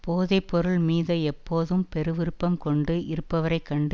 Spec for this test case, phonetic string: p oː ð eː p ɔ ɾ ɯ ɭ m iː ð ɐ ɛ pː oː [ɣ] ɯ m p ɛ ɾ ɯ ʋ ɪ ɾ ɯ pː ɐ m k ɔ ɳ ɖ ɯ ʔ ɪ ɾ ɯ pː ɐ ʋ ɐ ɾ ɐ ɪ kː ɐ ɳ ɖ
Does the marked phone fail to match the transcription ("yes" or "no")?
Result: yes